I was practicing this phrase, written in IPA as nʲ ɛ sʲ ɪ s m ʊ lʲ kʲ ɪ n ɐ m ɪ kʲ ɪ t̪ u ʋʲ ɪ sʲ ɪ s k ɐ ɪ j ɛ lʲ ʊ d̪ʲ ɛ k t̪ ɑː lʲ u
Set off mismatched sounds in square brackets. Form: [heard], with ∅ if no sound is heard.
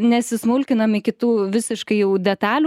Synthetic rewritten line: nʲ ɛ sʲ ɪ s m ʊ lʲ kʲ ɪ n ɐ m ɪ kʲ ɪ t̪ [uː] ʋʲ ɪ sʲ ɪ [ʃ] k ɐ ɪ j ɛ [∅] ʊ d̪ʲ ɛ [∅] t̪ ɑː lʲ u